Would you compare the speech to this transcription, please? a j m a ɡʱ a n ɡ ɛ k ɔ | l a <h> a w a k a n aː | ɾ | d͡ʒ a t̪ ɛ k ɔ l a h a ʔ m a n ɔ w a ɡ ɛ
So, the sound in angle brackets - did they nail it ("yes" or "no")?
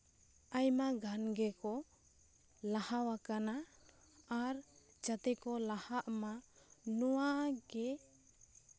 yes